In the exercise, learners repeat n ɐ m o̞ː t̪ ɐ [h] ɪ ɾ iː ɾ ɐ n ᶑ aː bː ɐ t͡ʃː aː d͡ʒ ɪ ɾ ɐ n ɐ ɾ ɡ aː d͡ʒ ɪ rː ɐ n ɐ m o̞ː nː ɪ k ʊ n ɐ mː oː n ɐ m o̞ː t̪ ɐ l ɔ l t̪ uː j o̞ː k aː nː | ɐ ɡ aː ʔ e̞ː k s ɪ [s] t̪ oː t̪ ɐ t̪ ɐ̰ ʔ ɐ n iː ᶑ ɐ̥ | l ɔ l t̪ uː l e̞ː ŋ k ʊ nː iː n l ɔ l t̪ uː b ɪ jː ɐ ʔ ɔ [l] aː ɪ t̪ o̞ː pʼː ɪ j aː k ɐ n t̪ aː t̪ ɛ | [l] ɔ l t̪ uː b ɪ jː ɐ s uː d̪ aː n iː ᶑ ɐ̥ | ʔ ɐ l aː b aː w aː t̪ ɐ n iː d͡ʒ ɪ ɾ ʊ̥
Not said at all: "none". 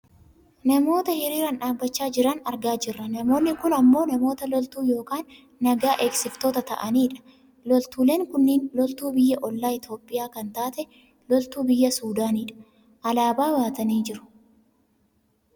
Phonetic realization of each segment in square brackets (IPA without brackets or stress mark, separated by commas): h, f, lː, l